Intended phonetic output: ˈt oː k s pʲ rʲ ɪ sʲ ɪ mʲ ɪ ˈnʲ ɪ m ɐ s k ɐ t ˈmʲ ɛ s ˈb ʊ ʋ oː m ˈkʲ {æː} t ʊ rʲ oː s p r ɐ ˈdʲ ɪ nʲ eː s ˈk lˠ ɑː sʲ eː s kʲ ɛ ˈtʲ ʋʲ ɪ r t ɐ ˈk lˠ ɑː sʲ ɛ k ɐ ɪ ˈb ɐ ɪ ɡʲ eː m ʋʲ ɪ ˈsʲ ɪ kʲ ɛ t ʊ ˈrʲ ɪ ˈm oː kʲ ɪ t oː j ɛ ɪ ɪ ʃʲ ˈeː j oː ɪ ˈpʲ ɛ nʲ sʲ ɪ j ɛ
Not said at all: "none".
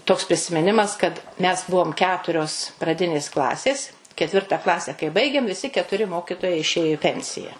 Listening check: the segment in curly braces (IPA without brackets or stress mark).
æː